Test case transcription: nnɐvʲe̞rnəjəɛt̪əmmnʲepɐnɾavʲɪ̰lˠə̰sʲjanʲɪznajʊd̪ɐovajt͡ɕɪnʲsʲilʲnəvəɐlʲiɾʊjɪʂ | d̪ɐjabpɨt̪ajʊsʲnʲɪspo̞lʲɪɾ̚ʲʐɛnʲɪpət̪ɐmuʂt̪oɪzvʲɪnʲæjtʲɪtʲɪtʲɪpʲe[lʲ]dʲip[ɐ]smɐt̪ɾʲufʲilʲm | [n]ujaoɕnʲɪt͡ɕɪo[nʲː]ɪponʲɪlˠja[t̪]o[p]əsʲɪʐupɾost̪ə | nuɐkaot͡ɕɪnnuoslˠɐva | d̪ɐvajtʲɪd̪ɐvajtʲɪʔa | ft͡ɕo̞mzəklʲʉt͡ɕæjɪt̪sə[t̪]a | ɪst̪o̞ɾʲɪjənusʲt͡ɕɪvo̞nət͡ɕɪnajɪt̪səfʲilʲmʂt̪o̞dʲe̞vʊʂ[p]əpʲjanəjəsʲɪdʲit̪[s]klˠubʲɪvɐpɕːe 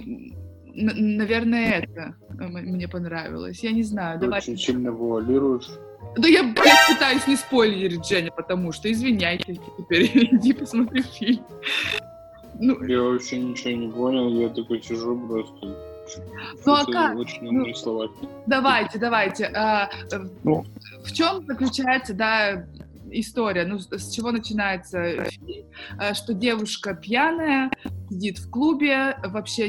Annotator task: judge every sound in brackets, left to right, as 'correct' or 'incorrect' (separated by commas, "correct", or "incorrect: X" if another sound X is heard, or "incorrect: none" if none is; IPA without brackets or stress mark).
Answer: incorrect: ɾʲ, incorrect: ə, correct, incorrect: nʲ, correct, incorrect: k, incorrect: d̪, incorrect: k, incorrect: f